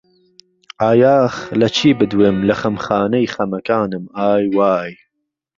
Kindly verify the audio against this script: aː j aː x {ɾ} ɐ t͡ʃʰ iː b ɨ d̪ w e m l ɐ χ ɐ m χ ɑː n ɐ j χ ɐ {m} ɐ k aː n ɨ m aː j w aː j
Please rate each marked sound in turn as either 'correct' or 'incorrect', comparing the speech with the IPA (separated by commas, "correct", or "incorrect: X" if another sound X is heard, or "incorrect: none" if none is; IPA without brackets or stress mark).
incorrect: l, correct